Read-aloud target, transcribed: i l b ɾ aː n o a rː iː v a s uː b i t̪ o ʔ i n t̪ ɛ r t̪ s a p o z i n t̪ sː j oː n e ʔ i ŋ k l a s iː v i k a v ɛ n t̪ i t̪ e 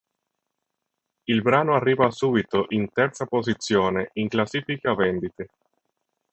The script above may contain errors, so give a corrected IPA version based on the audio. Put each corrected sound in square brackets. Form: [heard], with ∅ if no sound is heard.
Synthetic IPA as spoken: i l b ɾ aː n o a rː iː v a s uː b i t̪ o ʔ i n t̪ ɛ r t̪ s a p o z i [∅] t̪ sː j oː n e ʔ i ŋ k l a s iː [f] i k a v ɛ n [d̪] i t̪ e